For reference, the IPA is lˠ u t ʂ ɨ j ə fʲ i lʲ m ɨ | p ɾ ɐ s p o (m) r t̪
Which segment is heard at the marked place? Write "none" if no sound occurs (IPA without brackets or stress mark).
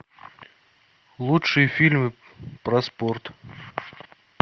none